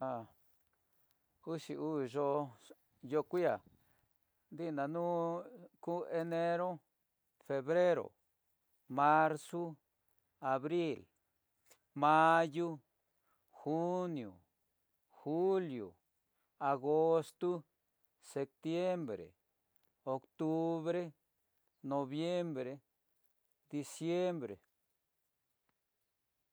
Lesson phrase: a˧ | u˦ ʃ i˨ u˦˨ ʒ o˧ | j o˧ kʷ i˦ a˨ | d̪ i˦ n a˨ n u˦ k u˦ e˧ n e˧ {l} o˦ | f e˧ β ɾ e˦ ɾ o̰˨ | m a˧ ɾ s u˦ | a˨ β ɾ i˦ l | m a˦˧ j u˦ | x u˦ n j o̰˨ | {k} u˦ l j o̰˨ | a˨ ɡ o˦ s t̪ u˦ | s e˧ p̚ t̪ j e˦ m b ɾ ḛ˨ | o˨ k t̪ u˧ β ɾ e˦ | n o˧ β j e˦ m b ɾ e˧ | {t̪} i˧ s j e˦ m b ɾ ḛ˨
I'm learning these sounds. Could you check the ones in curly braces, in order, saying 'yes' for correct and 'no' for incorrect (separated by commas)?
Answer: no, no, no